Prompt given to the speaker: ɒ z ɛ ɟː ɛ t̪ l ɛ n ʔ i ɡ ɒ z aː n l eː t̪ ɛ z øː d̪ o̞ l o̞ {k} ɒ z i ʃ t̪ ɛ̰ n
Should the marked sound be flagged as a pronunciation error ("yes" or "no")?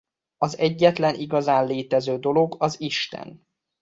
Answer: yes